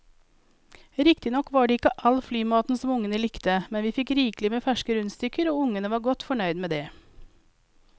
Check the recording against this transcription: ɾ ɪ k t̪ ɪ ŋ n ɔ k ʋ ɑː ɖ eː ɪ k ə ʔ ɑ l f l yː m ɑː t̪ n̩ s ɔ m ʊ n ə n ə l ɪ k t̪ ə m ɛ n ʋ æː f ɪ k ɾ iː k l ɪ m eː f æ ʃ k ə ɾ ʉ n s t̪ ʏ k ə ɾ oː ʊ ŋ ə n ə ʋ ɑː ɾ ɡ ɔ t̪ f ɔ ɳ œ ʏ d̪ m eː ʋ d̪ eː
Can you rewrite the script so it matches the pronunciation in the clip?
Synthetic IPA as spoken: ɾ ɪ k t̪ ɪ n ɔ k ʋ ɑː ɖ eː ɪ k ə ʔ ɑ l f l yː m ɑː t̪ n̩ s ɔ m ʊ ŋ ə n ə l ɪ k t̪ ə m ɛ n ʋ iː f ɪ k ɾ iː k l ɪ m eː f æ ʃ k ə ɾ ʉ n s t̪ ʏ k ə ɾ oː ʊ ŋ ə n ə ʋ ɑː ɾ ɡ ɔ t̪ f ɔ ɳ œ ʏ d̪ m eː d̪ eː